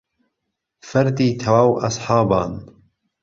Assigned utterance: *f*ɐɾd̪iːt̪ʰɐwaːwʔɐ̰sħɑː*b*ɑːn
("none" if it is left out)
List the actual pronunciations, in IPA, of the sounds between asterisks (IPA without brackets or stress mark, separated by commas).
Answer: f, b